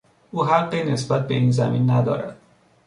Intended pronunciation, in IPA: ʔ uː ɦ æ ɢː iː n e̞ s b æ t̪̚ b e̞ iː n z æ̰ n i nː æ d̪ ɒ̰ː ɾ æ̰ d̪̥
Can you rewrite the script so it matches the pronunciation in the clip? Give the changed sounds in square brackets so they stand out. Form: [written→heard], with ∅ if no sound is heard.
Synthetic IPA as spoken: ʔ uː ɦ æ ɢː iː n e̞ s b æ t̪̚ b e̞ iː n z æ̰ [n→m] i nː æ d̪ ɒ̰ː ɾ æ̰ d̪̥